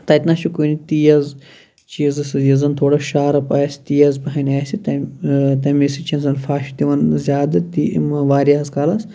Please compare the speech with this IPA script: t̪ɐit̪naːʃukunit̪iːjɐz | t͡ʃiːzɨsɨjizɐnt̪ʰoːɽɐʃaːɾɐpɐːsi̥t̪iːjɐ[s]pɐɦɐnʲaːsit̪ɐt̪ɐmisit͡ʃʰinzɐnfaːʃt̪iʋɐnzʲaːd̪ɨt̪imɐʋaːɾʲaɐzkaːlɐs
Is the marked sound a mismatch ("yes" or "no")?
yes